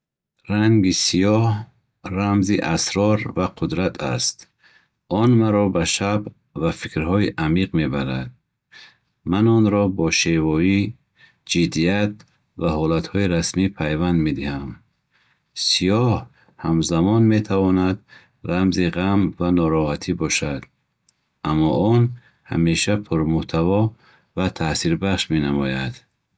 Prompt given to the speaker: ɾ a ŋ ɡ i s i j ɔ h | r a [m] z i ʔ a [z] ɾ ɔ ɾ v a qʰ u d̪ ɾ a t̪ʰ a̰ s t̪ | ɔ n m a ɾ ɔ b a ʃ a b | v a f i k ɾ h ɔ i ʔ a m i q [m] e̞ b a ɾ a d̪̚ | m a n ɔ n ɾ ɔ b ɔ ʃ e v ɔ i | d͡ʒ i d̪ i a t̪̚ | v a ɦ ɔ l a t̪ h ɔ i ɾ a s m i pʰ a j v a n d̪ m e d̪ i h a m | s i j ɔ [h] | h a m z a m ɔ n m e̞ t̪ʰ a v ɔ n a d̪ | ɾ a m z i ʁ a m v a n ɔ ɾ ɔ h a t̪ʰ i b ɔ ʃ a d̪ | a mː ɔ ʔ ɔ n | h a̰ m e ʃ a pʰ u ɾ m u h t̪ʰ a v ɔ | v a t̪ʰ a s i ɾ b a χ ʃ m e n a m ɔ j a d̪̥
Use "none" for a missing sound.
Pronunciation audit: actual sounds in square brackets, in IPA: m, s, m, h

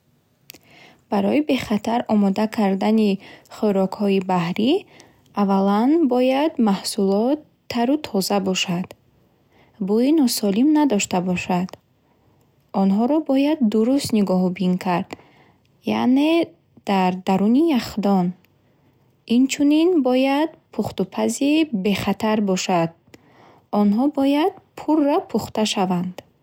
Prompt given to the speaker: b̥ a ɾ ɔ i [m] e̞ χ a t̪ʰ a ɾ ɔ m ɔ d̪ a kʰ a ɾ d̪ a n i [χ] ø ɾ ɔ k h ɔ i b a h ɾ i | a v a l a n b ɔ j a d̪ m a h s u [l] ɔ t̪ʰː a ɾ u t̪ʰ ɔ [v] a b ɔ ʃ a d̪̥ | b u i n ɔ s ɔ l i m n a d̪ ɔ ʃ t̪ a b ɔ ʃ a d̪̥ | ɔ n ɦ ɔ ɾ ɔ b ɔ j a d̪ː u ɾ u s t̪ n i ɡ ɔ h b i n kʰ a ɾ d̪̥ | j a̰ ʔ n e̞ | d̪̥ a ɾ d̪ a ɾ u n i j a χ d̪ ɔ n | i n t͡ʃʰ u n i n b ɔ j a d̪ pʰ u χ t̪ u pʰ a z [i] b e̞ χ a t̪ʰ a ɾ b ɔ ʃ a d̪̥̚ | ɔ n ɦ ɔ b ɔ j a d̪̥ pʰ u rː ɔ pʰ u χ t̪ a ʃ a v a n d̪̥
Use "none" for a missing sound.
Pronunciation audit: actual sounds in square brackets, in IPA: b, χ, l, z, i

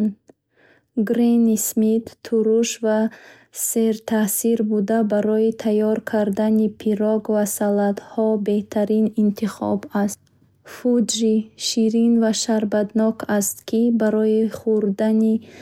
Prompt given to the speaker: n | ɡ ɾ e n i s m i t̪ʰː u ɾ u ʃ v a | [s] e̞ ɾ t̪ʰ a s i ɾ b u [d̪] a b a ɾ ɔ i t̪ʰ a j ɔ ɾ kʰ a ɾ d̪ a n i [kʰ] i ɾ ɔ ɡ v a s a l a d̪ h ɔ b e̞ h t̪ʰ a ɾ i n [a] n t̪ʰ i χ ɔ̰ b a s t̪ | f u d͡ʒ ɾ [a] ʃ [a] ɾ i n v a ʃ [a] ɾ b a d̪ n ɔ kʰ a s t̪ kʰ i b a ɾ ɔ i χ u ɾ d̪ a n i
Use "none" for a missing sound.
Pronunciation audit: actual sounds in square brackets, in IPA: s, d̪, pʰ, i, i, i, a

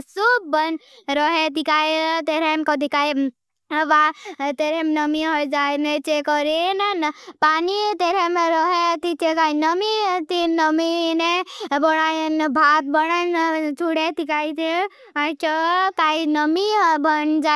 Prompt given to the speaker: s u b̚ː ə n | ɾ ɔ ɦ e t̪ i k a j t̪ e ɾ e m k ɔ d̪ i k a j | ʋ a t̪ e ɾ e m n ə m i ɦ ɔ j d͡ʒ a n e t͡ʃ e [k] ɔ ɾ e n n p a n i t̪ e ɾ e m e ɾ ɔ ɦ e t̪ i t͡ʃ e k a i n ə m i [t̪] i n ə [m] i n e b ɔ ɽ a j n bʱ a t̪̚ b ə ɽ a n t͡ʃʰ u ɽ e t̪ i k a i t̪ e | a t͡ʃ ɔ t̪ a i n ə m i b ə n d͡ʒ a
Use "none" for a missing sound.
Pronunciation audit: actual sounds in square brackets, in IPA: k, t̪, m

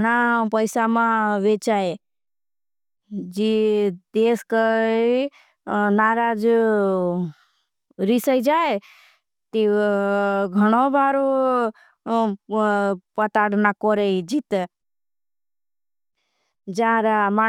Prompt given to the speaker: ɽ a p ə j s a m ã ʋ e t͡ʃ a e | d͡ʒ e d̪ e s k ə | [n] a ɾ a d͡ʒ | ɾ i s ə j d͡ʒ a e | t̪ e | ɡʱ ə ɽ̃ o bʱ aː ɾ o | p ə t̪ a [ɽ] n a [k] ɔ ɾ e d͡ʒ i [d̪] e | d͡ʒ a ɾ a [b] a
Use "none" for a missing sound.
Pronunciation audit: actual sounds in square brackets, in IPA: n, ɽ, k, t̪, m

